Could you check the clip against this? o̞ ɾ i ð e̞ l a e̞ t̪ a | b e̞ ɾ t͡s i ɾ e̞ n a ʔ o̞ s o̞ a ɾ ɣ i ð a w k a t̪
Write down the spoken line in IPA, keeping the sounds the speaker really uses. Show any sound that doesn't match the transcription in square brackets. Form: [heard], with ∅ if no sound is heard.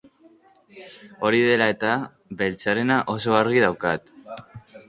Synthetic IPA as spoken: o̞ ɾ i ð e̞ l a e̞ t̪ a | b e̞ [l] t͡s [a] ɾ e̞ n a ʔ o̞ s o̞ a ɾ ɣ i ð a w k a t̪

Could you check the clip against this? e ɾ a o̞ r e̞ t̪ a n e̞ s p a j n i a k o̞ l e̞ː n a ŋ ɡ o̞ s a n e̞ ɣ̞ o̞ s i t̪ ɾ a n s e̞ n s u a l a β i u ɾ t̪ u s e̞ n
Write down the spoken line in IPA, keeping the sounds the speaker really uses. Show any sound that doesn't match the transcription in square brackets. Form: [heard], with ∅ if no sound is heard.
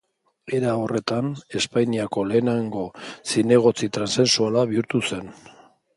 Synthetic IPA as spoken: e ɾ a o̞ r e̞ t̪ a n e̞ s p a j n i a k o̞ l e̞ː n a ŋ ɡ o̞ s [i] n e̞ ɣ̞ o̞ [t͡s] i t̪ ɾ a n s e̞ n s u a l a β i u ɾ t̪ u s e̞ n

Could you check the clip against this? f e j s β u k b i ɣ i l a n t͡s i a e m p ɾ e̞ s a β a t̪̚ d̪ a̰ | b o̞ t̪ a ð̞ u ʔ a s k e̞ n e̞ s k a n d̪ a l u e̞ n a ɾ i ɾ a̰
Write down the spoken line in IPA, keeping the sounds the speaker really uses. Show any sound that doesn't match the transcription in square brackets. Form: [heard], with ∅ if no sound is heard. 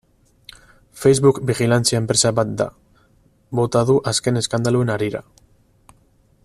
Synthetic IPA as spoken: f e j [z] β u k b i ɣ i l a n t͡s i a e m p ɾ e̞ s a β a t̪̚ d̪ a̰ | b o̞ t̪ a ð̞ u ʔ a s k e̞ n e̞ s k a n d̪ a l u e̞ n a ɾ i ɾ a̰

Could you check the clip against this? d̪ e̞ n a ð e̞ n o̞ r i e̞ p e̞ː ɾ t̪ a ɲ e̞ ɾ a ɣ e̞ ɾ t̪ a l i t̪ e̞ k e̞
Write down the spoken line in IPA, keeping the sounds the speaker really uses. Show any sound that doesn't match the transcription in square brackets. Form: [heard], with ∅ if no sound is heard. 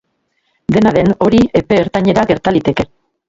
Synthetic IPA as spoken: d̪ e̞ n a ð e̞ n o̞ [ɾ] i e̞ p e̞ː ɾ t̪ a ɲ e̞ ɾ a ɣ e̞ ɾ t̪ a l i t̪ e̞ k e̞

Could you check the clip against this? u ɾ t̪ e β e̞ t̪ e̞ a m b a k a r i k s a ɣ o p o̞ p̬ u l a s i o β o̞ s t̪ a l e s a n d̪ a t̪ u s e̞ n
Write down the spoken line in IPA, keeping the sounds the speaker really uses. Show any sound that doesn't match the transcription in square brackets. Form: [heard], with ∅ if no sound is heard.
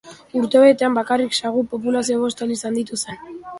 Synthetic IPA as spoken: u ɾ t̪ e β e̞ t̪ e̞ a m b a k a r i k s a ɣ [u] p o̞ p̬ u l a s i o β o̞ s t̪ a l [i] s a n d̪ [i] t̪ u s e̞ n

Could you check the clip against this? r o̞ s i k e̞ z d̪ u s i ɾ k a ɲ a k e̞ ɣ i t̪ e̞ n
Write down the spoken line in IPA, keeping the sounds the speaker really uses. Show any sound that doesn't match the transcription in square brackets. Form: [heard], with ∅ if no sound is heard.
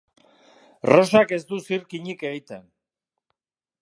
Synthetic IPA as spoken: r o̞ s [a] k e̞ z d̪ u s i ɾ k [i] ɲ [i] k e̞ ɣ i t̪ e̞ n

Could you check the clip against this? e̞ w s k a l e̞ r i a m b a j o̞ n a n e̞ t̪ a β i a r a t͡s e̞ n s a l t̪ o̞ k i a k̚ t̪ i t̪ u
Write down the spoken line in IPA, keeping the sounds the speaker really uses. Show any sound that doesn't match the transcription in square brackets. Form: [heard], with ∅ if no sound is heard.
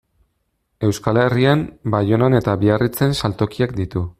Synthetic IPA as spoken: e̞ w s k a l e̞ r i a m b a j o̞ n a n e̞ t̪ a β i a r [i] t͡s e̞ n s a l t̪ o̞ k i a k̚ [d̪] i t̪ u

